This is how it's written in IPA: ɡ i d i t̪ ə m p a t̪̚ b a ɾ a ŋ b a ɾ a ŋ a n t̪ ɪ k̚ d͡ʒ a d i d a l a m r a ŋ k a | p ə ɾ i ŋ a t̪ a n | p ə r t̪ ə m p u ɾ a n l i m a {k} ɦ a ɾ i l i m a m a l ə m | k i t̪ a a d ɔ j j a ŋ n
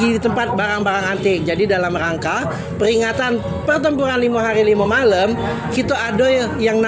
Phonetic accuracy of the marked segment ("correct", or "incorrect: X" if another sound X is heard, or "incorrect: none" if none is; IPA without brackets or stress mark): incorrect: none